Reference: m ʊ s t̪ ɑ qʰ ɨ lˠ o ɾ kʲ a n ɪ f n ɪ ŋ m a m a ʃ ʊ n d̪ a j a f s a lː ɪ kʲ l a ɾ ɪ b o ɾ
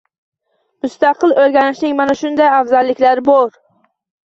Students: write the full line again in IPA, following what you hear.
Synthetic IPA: m ʊ s t̪ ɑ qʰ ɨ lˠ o ɾ ɡʲ a n ɪ ʃ n ɪ ŋ m a n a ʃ ʊ n d̪ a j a f z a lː ɪ kʲ l a ɾ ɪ b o ɾ